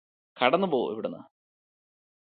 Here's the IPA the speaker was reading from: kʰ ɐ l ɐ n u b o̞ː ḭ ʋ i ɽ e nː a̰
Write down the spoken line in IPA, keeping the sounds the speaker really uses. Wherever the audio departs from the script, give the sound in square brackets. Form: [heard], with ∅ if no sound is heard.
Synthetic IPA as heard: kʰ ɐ [ɽ] ɐ [nː] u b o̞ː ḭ ʋ i ɽ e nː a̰